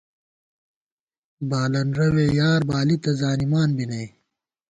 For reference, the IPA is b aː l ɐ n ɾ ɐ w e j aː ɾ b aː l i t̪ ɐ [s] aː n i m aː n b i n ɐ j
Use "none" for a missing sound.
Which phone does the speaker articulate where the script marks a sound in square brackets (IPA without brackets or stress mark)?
z